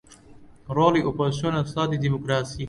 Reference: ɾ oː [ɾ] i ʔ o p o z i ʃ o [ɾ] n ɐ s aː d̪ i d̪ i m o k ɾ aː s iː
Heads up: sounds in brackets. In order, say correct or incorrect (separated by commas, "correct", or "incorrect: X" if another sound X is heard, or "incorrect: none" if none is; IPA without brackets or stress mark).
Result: incorrect: l, incorrect: none